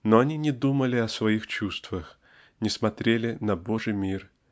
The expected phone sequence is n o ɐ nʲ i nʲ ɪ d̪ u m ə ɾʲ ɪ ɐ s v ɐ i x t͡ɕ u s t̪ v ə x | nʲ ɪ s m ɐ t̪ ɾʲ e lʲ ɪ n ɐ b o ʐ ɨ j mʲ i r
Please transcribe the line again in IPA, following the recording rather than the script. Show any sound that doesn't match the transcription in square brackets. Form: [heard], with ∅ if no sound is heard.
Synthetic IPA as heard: n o ɐ nʲ i nʲ ɪ d̪ u m ə [lʲ] ɪ ɐ s v ɐ i x t͡ɕ u s t̪ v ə x | nʲ ɪ s m ɐ t̪ ɾʲ e lʲ ɪ n ɐ b o ʐ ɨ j mʲ i r